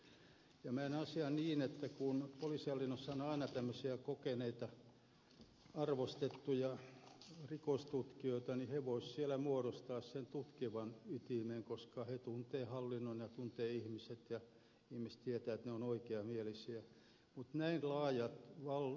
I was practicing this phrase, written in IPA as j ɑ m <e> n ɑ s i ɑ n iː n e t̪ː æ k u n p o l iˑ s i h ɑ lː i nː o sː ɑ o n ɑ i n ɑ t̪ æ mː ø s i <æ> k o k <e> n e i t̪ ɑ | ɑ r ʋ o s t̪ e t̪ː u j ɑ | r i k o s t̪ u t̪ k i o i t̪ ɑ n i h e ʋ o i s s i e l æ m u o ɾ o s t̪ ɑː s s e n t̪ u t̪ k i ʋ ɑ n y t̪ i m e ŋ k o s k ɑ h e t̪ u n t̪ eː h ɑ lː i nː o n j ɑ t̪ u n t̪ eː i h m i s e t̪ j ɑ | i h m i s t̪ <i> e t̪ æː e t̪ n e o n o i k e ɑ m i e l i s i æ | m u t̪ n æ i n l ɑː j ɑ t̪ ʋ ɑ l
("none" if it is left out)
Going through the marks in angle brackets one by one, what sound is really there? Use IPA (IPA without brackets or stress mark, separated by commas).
æ, æ, e, i